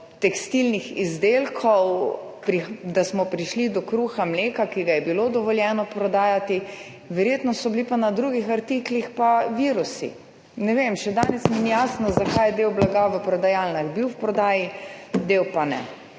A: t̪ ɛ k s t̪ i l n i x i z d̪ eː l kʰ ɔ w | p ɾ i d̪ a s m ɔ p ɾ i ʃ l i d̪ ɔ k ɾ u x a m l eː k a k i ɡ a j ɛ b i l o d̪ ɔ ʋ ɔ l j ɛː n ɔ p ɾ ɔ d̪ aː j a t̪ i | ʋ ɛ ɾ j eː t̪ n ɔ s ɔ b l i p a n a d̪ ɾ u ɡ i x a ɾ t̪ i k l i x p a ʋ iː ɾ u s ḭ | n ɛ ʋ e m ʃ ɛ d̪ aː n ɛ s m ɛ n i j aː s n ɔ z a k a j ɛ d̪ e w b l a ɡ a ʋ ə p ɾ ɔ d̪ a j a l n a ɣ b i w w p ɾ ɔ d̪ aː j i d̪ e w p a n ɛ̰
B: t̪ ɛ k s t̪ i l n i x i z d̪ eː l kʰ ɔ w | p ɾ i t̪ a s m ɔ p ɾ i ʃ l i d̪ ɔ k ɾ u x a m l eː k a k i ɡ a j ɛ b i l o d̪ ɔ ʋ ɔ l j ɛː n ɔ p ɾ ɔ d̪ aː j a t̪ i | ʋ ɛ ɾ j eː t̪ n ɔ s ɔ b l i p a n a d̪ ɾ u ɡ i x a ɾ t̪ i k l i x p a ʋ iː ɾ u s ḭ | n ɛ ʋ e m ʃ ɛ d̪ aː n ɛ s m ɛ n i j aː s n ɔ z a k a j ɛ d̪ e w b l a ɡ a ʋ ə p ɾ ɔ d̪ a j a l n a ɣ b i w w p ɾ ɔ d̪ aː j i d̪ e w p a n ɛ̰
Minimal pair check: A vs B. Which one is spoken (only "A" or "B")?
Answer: A